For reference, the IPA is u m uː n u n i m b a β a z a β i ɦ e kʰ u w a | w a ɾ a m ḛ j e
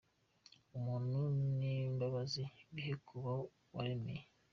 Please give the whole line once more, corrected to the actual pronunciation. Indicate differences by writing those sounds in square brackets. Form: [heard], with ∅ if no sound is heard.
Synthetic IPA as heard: u m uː n u n i m b a β a z [i] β i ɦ e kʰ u [β] a | w a ɾ [e] m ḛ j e